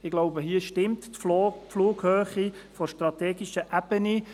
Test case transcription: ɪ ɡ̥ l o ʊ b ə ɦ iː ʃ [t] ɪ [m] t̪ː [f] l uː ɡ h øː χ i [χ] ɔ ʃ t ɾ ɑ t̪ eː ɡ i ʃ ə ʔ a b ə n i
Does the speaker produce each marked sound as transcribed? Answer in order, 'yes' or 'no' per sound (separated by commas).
yes, yes, yes, no